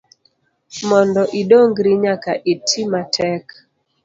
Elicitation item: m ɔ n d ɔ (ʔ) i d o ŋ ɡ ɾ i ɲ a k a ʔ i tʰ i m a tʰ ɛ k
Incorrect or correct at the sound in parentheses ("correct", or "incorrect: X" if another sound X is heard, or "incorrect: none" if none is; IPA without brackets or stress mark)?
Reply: correct